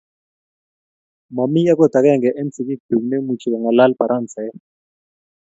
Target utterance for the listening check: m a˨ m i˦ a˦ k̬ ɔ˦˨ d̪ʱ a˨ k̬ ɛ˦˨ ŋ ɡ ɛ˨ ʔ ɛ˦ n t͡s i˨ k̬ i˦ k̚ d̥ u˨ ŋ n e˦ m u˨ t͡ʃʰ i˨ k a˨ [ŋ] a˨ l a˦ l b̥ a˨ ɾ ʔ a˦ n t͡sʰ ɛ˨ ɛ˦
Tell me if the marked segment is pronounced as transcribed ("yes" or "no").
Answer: yes